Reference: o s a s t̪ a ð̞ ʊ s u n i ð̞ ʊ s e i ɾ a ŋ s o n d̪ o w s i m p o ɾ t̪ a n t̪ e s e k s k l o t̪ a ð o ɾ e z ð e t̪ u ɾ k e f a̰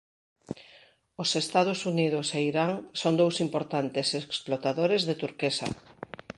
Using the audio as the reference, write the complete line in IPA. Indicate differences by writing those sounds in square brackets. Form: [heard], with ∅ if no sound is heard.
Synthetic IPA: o s [e] s t̪ a ð̞ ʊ s u n i ð̞ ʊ s e i ɾ a ŋ s o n d̪ o w s i m p o ɾ t̪ a n t̪ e s e k s [p] l o t̪ a ð o ɾ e z ð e t̪ u ɾ k e [s] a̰